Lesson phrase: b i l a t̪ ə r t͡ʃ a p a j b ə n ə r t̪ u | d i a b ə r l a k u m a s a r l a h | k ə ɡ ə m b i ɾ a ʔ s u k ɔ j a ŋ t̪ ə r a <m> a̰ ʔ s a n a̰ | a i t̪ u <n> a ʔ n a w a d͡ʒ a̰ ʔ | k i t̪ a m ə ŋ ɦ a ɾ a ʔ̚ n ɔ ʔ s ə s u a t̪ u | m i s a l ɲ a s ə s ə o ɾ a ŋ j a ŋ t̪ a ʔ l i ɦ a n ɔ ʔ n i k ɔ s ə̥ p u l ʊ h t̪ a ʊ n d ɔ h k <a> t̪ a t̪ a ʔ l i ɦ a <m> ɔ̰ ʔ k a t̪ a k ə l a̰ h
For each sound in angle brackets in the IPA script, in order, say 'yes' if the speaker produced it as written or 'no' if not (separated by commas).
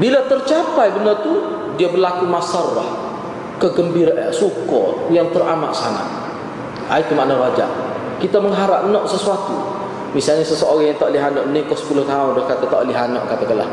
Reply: yes, no, yes, no